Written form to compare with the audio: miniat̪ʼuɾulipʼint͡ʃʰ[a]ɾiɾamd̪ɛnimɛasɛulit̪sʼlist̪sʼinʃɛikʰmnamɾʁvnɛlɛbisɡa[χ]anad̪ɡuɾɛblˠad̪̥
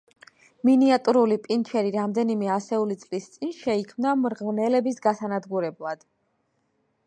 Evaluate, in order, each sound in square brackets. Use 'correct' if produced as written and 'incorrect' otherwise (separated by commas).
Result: incorrect, incorrect